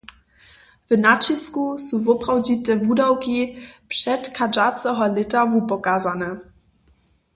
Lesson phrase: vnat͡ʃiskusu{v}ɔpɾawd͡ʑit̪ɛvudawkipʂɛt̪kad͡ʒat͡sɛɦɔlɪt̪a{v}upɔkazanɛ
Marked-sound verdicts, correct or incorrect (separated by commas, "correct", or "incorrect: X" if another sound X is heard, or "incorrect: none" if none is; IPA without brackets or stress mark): correct, correct